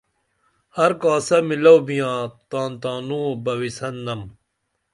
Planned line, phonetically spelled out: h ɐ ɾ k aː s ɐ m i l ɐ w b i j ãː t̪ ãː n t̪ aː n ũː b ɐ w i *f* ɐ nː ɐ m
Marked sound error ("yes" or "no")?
yes